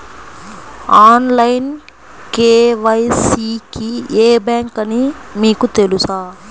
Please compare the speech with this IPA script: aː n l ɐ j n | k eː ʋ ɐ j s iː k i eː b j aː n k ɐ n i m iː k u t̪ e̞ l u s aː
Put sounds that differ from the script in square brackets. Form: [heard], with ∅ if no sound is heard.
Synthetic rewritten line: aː n l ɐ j n | k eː ʋ ɐ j s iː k i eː b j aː [ŋ] k ɐ n i m iː k u t̪ e̞ l u s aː